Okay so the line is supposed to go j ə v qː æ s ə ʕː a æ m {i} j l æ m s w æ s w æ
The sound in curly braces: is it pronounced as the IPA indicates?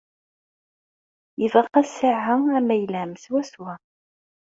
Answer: no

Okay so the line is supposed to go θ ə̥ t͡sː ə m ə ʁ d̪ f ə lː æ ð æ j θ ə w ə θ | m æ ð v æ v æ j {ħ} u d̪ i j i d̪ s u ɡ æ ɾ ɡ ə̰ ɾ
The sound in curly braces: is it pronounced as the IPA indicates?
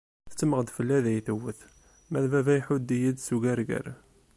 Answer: yes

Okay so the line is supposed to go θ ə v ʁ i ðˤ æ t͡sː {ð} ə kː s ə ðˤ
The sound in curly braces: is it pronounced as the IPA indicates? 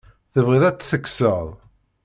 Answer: no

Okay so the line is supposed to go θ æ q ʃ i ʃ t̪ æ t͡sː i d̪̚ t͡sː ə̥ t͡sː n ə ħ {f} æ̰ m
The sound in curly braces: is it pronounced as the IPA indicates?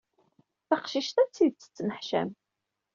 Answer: no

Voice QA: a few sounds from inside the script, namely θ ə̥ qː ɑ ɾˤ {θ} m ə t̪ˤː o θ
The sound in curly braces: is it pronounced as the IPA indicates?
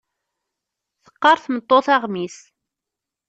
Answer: yes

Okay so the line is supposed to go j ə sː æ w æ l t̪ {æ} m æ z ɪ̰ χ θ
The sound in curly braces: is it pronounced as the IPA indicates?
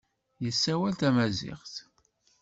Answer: yes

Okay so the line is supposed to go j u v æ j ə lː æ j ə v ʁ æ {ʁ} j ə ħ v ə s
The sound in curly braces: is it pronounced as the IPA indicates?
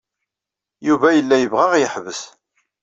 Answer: yes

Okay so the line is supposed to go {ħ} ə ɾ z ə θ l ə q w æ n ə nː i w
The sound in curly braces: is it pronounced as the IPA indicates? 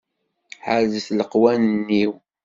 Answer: yes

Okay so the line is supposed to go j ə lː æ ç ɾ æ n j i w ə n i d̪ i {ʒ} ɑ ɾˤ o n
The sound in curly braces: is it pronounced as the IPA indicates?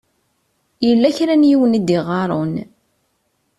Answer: no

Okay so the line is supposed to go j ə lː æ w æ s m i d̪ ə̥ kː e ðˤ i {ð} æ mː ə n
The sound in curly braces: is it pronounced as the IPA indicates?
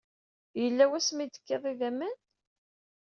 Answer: yes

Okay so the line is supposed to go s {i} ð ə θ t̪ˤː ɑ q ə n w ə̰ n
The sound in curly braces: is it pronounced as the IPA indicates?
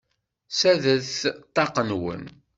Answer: no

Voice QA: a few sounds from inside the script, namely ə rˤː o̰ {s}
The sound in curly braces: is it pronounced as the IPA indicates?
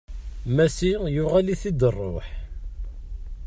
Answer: no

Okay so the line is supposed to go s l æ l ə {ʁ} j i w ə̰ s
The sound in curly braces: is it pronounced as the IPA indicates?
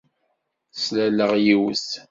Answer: yes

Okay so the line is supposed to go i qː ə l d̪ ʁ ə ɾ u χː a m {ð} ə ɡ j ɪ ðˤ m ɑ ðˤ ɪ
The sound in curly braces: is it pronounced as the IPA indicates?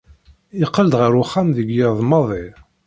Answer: yes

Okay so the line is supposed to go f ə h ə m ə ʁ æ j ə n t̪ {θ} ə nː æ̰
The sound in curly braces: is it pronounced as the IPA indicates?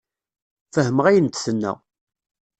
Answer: yes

